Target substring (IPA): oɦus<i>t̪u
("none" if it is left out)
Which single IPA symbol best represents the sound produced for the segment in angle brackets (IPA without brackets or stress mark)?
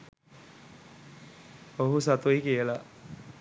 a